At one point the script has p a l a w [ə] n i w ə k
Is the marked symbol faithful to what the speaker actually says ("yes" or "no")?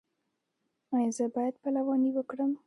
no